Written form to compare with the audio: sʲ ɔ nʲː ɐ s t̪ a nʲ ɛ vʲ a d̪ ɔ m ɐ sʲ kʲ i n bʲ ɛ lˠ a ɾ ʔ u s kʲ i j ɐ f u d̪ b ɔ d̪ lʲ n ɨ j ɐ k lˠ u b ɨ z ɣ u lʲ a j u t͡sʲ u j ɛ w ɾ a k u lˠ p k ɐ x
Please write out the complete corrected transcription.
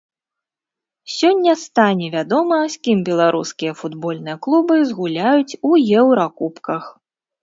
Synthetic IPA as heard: sʲ ɔ nʲː ɐ s t̪ a nʲ ɛ vʲ a d̪ ɔ m ɐ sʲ kʲ i m bʲ ɛ lˠ a ɾ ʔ u s kʲ i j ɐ f u d̪ b ɔ lʲ n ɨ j ɐ k lˠ u b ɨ z ɣ u lʲ a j u t͡sʲ u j ɛ w ɾ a k u p k ɐ x